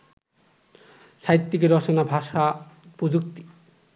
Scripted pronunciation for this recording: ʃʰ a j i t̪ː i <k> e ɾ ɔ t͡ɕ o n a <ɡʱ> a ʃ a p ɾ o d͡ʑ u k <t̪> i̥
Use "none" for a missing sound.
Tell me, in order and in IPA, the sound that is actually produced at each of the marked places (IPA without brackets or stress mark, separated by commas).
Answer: k, bʱ, t̪